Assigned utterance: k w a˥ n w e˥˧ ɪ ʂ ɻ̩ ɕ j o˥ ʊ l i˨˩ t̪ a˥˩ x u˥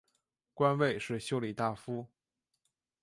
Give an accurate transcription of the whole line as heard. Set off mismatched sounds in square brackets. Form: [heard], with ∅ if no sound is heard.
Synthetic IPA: k w a˥ n w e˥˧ ɪ ʂ ɻ̩ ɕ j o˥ ʊ l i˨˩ t̪ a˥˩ [f] u˥

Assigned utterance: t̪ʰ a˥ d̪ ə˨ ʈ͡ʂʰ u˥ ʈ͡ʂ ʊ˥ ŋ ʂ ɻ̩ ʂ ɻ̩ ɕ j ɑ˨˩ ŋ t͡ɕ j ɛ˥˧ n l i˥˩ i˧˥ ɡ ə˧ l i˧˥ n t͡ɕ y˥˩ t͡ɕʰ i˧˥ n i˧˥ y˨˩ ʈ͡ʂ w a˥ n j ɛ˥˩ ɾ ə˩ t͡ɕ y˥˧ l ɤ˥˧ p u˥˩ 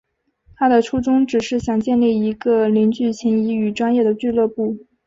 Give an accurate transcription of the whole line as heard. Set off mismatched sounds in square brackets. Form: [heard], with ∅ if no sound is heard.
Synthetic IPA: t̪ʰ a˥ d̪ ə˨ ʈ͡ʂʰ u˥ ʈ͡ʂ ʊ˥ ŋ [ʈ͡ʂ] ɻ̩ ʂ ɻ̩ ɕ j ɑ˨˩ ŋ t͡ɕ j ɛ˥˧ n l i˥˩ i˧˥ ɡ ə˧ l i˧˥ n t͡ɕ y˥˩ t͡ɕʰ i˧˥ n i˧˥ y˨˩ ʈ͡ʂ w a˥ n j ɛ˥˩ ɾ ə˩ t͡ɕ y˥˧ l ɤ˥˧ p u˥˩

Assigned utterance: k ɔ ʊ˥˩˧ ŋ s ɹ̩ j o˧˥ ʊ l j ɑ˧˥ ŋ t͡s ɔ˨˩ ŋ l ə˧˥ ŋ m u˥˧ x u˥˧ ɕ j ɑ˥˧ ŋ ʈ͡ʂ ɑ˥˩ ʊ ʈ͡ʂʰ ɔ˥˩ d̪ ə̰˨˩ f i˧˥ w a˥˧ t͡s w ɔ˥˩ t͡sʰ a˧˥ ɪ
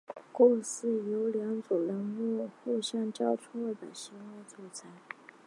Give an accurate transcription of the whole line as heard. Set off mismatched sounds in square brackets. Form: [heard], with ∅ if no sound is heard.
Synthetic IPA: k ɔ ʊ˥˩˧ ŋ s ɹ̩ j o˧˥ ʊ l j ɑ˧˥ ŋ t͡s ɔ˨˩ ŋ l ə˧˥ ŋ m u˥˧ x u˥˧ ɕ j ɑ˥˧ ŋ ʈ͡ʂ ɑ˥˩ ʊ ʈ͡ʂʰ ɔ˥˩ d̪ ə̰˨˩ [ɕ] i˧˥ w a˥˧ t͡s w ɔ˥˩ t͡sʰ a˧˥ ɪ

